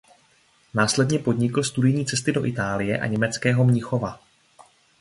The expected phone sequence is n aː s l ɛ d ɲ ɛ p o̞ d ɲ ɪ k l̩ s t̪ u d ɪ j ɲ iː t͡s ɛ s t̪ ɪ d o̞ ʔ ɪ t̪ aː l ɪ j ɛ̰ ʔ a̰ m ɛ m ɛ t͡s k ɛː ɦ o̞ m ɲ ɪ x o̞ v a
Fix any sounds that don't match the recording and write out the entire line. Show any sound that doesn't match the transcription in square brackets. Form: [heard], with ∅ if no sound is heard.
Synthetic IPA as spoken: n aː s l ɛ d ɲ ɛ p o̞ d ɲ ɪ k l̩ s t̪ u d ɪ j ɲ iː t͡s ɛ s t̪ ɪ d o̞ ʔ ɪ t̪ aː l ɪ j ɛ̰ ʔ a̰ [ɲ] ɛ m ɛ t͡s k ɛː ɦ o̞ m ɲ ɪ x o̞ v a